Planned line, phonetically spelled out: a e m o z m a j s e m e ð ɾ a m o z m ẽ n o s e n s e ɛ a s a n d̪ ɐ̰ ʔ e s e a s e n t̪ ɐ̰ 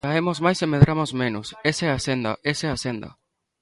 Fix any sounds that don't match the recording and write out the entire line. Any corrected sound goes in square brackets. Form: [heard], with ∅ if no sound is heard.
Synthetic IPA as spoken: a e m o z m a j s e m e ð ɾ a m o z m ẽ n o s e [∅] s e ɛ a s [e] n d̪ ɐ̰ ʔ e s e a s e n [d̪] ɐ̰